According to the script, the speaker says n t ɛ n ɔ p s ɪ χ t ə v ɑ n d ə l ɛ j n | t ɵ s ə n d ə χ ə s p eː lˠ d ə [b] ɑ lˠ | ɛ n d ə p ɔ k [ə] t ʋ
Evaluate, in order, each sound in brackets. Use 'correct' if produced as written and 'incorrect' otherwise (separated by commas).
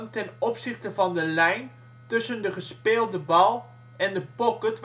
correct, correct